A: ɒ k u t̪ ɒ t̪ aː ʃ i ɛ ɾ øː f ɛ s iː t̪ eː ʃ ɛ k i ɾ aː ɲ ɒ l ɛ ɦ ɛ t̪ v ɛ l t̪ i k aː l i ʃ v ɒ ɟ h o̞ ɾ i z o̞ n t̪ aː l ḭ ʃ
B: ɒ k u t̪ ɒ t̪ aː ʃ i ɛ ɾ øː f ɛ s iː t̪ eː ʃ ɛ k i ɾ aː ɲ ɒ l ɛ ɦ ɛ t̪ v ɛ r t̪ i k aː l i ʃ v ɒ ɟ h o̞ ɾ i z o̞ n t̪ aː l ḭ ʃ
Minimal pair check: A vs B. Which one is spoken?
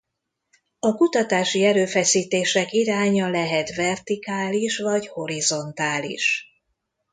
B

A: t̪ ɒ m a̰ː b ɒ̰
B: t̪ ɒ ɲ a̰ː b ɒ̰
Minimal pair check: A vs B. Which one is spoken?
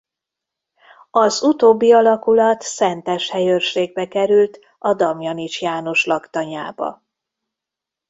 B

